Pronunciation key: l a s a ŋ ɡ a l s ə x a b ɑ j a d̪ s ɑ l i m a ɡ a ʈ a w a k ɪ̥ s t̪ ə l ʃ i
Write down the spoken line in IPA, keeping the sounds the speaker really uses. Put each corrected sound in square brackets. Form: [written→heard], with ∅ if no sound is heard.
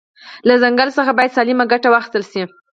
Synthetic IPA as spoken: l a [s→z] a ŋ ɡ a l s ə x a b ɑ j a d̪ s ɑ l i m a ɡ a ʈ a w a [k→x] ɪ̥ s t̪ ə l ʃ i

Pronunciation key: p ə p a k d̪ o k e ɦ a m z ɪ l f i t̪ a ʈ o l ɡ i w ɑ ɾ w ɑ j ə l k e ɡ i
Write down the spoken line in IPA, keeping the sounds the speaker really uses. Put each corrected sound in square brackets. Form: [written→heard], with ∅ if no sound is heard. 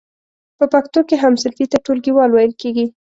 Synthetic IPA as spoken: p ə p a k [d̪→t̪] o k e ɦ a m [z→s] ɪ l f i t̪ a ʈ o l ɡ i w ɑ [ɾ→l] w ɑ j ə l k e ɡ i

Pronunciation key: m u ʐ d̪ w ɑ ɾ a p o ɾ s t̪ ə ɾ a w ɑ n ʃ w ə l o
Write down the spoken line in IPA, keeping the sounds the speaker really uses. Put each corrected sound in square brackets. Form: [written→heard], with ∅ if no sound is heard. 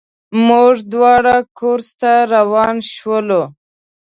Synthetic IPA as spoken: m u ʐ d̪ w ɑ [ɾ→ɽ] a [p→k] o ɾ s t̪ [ə→a] ɾ a w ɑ n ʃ w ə l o

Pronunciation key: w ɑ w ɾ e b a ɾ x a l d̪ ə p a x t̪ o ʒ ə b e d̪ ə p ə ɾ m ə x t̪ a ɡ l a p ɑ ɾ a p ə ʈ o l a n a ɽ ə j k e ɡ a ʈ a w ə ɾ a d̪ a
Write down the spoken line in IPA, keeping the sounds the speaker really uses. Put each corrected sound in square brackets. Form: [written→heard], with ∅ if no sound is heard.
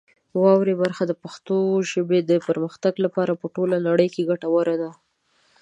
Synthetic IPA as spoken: w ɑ w ɾ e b a ɾ x a [l→∅] d̪ ə p a x t̪ o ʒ ə b e d̪ ə p ə ɾ m ə x t̪ a ɡ l a p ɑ ɾ a p ə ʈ o l a n a ɽ ə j k e ɡ a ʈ a w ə ɾ a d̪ a

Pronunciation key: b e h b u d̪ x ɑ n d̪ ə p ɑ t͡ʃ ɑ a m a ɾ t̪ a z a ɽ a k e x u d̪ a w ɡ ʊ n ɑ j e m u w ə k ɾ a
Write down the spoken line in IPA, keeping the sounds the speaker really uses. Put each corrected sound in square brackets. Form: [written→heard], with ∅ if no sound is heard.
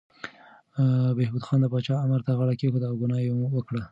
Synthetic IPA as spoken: b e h b u d̪ x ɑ n d̪ ə p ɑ t͡ʃ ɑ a m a ɾ t̪ a [z→ɣ] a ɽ a k e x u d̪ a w ɡ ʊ n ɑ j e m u w ə k [ɾ→ɽ] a

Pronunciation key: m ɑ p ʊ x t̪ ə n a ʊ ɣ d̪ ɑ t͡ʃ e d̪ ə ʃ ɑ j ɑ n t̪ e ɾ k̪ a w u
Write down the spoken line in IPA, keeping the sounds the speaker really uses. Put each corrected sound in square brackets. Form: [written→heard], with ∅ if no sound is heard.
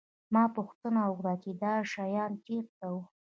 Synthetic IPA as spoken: m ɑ p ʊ x t̪ ə n a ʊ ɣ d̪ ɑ t͡ʃ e d̪ [ə→ɑ] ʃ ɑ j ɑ n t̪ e ɾ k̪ a w u

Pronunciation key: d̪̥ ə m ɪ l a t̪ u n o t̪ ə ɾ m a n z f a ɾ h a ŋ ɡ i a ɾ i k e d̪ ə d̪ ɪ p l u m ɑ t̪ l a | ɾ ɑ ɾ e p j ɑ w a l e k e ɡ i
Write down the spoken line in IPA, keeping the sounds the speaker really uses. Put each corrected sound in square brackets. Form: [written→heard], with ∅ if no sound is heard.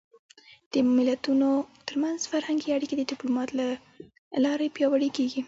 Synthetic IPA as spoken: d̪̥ ə m ɪ l a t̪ u n o t̪ ə ɾ m a n z f a ɾ h a ŋ ɡ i a [ɾ→ɽ] i k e d̪ ə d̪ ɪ p l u m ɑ t̪ l a | [ɾ→l] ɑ ɾ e p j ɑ w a [l→ɽ] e k e ɡ i

